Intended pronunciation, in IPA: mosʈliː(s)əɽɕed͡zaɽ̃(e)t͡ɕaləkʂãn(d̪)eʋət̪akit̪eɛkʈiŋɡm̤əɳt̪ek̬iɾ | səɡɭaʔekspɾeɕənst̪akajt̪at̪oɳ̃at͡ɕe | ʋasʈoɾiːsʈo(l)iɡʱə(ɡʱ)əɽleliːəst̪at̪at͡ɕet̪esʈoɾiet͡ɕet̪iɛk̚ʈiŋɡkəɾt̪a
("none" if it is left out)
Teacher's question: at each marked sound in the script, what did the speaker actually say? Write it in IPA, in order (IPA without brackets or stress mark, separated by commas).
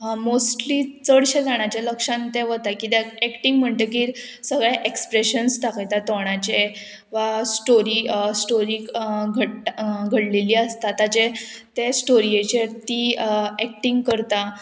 t͡s, a, t̪, ɾ, ɡʱ